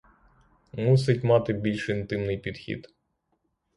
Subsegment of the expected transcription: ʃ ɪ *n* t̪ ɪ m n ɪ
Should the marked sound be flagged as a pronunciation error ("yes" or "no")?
no